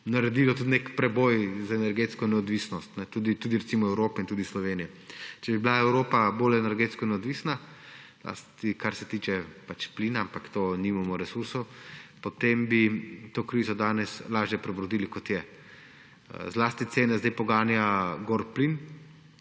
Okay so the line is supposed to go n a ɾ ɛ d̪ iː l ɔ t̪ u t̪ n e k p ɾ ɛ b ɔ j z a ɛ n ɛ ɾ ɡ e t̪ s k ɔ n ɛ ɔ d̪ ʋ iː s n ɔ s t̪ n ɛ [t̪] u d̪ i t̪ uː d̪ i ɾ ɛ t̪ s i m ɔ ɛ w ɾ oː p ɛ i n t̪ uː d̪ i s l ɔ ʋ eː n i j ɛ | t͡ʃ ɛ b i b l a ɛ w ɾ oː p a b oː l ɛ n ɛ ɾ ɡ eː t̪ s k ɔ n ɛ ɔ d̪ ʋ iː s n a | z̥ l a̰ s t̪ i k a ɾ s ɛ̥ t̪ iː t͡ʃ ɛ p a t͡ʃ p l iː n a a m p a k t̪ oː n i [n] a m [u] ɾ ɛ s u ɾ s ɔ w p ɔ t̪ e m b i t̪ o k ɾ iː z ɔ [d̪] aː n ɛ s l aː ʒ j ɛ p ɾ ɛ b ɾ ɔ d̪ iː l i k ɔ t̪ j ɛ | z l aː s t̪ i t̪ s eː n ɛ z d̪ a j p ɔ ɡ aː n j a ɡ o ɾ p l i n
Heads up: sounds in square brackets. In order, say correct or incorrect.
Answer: correct, incorrect: m, incorrect: ɔ, correct

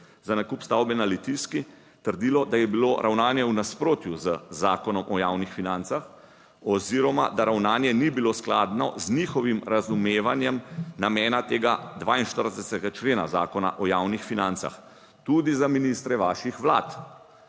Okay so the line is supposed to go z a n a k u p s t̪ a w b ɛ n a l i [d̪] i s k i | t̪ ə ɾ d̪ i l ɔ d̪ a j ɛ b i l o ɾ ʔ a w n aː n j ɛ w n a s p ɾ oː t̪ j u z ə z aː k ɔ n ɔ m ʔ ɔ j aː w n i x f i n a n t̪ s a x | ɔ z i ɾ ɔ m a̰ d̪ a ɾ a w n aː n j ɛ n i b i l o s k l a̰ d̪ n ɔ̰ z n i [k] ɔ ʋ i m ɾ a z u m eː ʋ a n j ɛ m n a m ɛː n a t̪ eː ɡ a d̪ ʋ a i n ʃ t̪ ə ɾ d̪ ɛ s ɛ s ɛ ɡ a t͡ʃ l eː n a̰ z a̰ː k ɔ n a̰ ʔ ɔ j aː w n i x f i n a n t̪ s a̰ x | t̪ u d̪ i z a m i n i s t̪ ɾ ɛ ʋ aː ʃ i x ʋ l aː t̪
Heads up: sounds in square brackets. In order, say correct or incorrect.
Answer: incorrect: t̪, incorrect: x

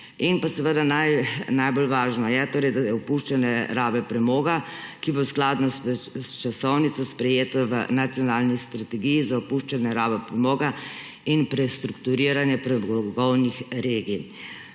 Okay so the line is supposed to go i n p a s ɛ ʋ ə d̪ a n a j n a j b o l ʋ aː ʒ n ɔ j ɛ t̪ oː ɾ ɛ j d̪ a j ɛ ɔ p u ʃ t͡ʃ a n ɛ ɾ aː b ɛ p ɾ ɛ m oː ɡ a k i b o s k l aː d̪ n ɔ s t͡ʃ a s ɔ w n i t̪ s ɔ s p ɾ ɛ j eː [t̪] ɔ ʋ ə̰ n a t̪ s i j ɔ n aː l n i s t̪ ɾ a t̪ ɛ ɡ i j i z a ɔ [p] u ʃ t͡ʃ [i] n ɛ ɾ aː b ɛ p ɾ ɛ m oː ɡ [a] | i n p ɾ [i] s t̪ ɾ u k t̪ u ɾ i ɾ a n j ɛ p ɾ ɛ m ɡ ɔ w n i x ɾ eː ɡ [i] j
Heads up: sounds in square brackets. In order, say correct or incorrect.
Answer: correct, correct, incorrect: a, correct, incorrect: ɛ, correct

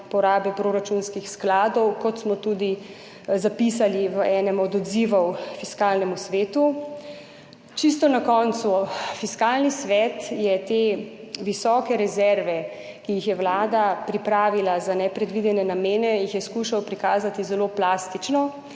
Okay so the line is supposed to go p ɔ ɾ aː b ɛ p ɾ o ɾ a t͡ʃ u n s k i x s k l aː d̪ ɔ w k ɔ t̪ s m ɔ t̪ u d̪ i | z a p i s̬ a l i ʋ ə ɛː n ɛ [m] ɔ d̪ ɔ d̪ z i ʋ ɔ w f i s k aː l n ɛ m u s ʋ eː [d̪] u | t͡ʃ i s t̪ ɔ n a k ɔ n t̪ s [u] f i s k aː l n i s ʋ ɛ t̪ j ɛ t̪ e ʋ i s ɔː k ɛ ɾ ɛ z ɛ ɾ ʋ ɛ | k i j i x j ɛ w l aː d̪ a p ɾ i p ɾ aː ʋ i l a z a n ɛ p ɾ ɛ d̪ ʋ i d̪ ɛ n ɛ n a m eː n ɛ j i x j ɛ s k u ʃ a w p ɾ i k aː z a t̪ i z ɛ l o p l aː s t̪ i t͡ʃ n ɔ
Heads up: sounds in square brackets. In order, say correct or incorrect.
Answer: correct, incorrect: t̪, correct

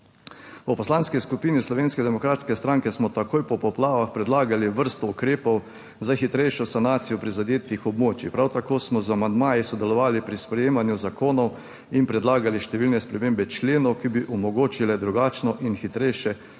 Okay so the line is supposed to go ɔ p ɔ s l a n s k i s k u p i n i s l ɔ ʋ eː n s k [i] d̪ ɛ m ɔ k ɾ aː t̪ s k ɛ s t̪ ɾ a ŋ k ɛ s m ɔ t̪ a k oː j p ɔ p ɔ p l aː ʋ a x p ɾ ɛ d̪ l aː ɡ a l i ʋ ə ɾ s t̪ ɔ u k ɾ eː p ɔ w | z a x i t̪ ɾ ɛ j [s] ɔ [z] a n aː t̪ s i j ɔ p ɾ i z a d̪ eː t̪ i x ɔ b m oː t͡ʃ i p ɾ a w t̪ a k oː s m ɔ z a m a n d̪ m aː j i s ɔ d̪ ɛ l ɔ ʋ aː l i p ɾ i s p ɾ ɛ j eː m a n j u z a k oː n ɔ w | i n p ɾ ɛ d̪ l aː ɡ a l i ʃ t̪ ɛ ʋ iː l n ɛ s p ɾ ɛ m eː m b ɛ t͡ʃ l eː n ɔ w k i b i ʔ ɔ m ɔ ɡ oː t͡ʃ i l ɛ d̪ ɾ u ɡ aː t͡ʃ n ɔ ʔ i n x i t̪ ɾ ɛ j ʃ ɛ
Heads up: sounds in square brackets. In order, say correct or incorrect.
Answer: incorrect: ɛ, incorrect: ʃ, incorrect: s

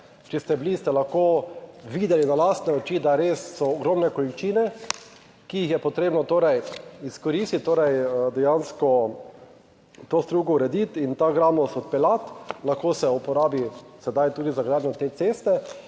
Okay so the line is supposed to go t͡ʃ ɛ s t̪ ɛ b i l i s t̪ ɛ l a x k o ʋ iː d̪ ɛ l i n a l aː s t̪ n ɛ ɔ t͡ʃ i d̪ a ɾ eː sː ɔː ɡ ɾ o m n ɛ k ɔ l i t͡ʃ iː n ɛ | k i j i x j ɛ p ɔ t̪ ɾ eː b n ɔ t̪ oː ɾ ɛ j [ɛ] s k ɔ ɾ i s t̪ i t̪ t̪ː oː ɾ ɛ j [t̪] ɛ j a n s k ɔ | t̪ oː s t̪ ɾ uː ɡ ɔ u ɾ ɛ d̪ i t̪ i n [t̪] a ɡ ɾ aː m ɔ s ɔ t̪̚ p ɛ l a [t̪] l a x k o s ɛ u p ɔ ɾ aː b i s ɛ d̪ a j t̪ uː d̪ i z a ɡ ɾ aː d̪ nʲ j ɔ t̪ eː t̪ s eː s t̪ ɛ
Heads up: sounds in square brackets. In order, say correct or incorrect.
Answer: incorrect: i, incorrect: d̪, correct, correct

